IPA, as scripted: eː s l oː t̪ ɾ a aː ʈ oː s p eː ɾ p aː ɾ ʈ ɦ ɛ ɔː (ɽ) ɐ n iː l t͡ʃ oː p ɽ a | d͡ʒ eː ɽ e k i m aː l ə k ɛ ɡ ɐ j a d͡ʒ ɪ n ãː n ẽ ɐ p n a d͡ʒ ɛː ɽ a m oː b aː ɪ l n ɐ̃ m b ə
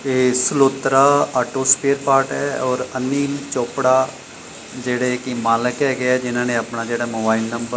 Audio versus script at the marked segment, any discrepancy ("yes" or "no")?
yes